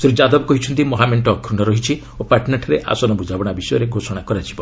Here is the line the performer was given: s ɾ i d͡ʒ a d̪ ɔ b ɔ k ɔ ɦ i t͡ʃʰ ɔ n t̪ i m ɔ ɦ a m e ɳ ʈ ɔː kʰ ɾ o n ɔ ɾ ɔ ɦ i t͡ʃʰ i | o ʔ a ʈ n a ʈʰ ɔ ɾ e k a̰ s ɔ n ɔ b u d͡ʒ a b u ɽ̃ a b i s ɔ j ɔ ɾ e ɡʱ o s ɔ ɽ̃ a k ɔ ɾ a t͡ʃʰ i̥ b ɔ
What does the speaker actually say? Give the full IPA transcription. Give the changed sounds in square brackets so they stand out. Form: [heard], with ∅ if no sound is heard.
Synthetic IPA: s ɾ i d͡ʒ a d̪ ɔ b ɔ k ɔ ɦ i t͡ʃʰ ɔ n t̪ i m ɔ ɦ a m e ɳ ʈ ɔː kʰ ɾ [u] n ɔ ɾ ɔ ɦ i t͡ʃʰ i | o [p] a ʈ n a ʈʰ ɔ ɾ e [ʔ] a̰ s ɔ n ɔ b u d͡ʒ a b [ɔ] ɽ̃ a b i s ɔ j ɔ ɾ e ɡʱ o s ɔ ɽ̃ a k ɔ ɾ a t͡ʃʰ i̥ b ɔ